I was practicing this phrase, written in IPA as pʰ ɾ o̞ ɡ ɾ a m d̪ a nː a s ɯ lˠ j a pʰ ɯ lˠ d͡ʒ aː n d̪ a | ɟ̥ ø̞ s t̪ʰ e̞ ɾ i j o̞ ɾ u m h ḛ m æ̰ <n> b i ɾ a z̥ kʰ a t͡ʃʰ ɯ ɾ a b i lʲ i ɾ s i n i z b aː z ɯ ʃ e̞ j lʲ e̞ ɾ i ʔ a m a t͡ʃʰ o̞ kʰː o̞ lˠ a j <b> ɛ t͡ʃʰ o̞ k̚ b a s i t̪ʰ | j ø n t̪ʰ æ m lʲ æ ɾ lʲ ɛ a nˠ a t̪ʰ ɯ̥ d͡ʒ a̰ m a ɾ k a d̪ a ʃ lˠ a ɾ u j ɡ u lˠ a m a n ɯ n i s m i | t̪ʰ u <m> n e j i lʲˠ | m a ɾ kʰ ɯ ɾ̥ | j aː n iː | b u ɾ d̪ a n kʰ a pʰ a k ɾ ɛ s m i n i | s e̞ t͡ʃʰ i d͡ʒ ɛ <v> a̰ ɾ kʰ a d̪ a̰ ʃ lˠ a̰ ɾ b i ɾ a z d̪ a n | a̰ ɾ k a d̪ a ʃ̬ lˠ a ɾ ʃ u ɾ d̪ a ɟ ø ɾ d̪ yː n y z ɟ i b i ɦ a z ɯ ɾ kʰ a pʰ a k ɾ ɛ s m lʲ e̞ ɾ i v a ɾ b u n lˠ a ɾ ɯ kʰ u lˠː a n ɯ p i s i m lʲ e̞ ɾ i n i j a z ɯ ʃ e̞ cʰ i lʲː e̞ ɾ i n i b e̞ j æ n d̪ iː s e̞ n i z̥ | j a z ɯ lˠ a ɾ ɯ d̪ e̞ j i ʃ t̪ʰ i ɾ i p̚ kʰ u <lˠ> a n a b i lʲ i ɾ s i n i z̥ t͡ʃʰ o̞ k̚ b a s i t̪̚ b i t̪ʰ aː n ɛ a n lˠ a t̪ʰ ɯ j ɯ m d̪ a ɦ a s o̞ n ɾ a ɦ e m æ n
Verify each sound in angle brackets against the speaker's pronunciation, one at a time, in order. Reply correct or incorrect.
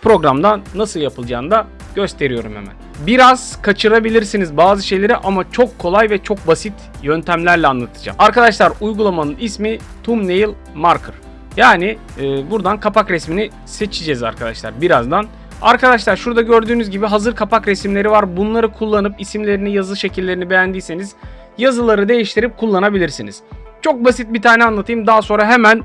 correct, incorrect, correct, incorrect, incorrect

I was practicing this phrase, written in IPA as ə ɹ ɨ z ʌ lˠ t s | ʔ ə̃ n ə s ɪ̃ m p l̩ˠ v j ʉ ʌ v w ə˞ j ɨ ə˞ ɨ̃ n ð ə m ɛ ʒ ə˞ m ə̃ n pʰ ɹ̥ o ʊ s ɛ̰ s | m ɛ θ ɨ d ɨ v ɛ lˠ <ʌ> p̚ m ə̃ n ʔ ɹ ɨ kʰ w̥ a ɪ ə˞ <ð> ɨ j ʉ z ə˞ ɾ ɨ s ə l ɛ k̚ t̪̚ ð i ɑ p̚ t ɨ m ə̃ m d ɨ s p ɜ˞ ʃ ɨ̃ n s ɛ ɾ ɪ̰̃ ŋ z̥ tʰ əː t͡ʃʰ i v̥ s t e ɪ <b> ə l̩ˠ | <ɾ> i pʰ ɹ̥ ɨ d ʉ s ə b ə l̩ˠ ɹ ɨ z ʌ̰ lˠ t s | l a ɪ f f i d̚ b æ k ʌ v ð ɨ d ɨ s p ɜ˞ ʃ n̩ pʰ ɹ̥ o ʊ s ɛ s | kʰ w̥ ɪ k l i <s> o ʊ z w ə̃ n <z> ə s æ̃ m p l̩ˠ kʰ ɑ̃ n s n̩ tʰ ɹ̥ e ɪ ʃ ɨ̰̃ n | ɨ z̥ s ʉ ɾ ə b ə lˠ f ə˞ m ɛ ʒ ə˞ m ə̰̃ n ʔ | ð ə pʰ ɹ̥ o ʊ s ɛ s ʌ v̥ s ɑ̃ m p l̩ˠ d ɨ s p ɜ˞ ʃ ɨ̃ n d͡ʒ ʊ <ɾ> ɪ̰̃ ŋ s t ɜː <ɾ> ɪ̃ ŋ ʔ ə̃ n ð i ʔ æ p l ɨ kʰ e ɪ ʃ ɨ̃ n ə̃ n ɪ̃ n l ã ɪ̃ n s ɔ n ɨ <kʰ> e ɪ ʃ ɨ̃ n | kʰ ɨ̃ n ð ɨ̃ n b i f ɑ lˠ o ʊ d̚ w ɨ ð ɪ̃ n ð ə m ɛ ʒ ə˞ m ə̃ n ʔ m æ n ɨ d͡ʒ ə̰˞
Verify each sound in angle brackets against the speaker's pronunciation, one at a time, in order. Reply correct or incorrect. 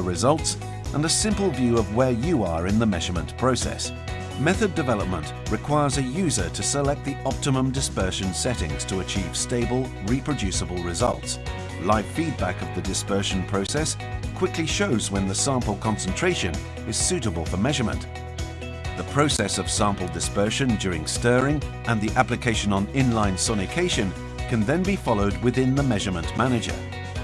incorrect, incorrect, correct, incorrect, incorrect, incorrect, incorrect, incorrect, correct

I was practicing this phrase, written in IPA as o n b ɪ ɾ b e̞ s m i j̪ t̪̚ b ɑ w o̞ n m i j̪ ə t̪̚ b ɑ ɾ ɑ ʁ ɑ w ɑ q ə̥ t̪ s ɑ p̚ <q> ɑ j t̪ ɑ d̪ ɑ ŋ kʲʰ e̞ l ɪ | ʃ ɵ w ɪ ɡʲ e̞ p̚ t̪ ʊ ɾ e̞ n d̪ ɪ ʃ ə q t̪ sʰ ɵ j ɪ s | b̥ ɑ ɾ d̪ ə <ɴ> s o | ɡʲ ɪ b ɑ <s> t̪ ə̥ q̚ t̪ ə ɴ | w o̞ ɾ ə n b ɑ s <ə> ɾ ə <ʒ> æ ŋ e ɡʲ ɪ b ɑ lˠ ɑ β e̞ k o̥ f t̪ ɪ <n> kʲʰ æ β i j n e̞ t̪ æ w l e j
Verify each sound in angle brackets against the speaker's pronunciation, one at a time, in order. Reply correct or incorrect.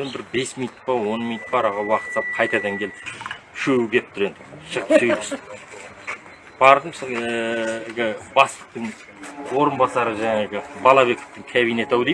incorrect, incorrect, correct, incorrect, correct, incorrect

